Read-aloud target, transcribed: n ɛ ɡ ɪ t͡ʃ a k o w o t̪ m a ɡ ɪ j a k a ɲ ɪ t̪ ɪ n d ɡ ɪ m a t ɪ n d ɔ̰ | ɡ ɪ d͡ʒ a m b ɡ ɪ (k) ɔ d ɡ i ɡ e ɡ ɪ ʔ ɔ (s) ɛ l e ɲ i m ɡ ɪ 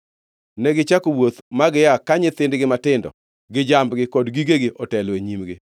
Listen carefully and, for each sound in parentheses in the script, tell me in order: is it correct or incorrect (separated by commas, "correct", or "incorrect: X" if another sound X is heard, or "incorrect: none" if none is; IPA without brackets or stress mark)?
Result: correct, incorrect: t